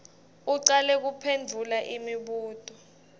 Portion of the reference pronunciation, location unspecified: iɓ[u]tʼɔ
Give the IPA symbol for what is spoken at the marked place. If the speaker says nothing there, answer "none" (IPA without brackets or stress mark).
uː